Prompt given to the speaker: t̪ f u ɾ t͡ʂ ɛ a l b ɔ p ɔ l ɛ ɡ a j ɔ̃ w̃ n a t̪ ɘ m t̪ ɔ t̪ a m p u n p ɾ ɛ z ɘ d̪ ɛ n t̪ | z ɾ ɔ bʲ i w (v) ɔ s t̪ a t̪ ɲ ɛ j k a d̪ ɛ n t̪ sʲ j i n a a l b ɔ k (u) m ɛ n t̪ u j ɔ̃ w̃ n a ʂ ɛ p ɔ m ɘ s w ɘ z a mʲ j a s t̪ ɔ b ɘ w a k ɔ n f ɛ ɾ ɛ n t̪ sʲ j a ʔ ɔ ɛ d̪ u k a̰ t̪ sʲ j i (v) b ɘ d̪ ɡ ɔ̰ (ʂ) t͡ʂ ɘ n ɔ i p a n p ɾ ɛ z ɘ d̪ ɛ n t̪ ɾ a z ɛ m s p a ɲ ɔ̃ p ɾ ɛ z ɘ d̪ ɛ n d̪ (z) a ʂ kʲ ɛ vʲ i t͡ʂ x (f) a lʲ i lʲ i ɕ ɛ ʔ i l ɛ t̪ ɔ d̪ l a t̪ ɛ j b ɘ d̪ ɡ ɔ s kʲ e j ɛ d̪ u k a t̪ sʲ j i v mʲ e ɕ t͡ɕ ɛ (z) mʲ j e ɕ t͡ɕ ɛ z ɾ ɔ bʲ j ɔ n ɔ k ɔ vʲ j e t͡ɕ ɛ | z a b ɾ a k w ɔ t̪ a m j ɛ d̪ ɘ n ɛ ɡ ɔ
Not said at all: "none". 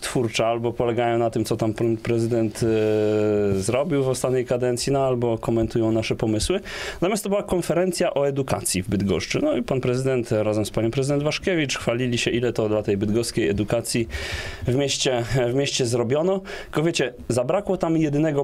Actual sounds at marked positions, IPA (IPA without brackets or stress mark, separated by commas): v, ɔ, v, ʂ, v, f, v